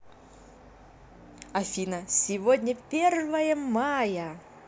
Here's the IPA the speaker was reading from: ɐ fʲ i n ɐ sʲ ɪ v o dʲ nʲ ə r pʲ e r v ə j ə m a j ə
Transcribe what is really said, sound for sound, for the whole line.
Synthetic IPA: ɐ fʲ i n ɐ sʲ ɪ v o dʲ nʲ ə pʲ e r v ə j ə m a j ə